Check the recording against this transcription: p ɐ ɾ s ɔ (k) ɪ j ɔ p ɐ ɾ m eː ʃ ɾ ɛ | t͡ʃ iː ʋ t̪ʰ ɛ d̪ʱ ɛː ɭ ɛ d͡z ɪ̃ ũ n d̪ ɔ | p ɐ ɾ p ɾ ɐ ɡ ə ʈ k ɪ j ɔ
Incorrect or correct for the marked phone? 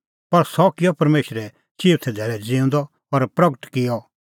correct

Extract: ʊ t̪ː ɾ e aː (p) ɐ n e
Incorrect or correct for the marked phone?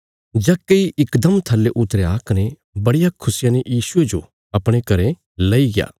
incorrect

